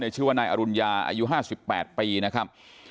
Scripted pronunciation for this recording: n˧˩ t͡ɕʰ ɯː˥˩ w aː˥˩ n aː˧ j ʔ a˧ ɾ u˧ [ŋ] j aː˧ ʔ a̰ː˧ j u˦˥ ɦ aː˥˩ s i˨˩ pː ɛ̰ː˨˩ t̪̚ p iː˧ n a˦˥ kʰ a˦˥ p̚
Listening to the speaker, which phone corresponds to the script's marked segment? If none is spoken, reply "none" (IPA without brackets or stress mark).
n